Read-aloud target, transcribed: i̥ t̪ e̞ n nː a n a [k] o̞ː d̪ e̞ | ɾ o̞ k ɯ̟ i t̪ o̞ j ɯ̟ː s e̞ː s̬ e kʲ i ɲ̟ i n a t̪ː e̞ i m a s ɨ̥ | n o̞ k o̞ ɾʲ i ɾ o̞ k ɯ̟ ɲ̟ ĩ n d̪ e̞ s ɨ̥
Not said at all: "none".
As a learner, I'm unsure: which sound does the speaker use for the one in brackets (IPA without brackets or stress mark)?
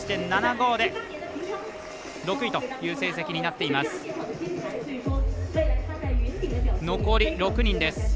ɡ